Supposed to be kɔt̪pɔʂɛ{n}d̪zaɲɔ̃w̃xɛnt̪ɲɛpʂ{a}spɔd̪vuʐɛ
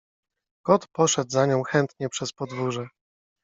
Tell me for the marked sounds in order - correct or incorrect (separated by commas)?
incorrect, incorrect